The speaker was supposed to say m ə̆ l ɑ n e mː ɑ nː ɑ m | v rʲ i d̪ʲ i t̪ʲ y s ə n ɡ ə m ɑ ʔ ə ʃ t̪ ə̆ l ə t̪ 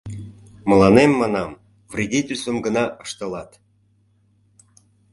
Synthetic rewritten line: m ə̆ l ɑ n e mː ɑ n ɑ m | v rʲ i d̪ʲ i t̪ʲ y s ə m ɡ ə n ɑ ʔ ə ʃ t̪ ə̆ l ɑ t̪